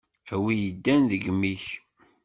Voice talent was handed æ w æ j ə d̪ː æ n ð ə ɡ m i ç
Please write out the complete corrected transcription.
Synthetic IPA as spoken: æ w i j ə d̪ː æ n ð ə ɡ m i ç